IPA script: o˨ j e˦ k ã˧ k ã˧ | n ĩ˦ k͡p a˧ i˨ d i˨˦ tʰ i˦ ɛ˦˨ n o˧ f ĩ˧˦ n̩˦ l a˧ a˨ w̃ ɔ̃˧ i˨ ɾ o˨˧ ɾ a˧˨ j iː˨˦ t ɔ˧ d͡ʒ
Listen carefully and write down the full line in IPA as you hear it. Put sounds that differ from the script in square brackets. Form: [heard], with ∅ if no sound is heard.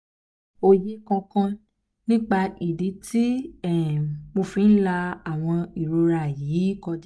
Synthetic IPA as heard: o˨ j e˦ k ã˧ k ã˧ | n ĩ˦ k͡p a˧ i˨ d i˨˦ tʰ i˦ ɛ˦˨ [m] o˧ f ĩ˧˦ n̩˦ l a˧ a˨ w̃ ɔ̃˧ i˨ ɾ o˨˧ ɾ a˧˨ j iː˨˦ [k] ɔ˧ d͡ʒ